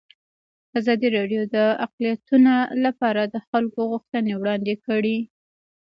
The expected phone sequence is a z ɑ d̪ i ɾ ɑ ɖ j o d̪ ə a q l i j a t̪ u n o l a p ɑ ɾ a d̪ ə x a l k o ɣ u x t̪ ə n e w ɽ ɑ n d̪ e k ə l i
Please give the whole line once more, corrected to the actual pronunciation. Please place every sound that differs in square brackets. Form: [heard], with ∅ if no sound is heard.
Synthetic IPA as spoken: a z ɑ d̪ i ɾ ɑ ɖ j o d̪ ə a q l i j a t̪ u n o l a p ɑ ɾ a d̪ ə x a l k o ɣ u x t̪ ə n e w ɽ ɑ n d̪ e k ə [ɽ] i